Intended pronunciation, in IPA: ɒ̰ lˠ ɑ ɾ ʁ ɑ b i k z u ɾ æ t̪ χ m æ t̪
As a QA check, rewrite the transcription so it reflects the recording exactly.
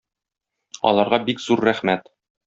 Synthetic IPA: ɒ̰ lˠ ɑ ɾ ʁ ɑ b i k z u ɾː æ χ m æ t̪